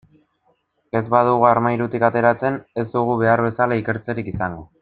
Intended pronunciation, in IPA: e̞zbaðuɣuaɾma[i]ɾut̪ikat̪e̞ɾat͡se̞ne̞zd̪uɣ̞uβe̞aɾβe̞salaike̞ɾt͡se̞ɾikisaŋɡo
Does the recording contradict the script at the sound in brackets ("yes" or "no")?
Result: yes